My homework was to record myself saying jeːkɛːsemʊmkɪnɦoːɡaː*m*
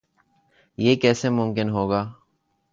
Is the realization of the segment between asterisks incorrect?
yes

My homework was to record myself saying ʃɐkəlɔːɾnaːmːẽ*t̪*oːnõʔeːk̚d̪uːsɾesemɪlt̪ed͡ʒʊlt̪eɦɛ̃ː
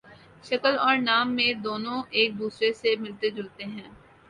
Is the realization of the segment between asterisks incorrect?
yes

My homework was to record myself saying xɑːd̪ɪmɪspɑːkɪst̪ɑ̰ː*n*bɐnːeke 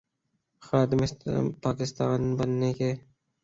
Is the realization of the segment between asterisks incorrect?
no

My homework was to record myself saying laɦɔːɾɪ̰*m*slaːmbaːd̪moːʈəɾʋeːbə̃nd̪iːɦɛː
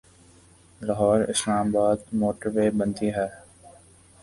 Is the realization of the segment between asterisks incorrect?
yes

